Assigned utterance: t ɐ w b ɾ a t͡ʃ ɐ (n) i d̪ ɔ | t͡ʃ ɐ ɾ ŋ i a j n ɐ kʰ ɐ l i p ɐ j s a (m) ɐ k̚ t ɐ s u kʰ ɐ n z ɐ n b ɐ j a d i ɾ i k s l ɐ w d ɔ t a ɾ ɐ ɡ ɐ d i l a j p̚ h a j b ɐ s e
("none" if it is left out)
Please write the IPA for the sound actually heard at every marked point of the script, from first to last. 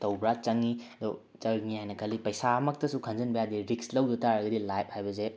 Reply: ŋ, m

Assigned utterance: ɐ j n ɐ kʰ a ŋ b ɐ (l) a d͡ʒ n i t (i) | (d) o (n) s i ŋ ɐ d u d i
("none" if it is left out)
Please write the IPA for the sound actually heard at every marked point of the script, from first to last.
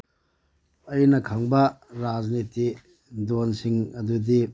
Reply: ɾ, i, d, n

